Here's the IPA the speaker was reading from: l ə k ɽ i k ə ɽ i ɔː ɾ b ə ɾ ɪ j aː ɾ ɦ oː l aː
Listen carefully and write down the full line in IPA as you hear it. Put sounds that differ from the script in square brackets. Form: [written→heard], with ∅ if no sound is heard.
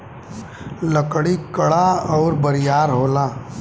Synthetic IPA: l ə k ɽ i k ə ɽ [i→a] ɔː ɾ b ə ɾ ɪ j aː ɾ ɦ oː l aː